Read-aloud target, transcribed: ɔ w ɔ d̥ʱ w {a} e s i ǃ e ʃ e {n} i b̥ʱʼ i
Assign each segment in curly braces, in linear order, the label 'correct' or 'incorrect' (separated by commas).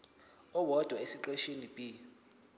correct, correct